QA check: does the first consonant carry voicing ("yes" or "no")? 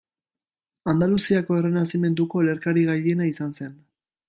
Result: yes